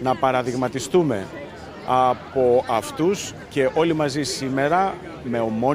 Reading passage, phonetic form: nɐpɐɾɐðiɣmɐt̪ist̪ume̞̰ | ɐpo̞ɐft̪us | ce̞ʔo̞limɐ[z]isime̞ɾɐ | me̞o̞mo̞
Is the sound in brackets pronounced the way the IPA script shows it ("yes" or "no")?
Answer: yes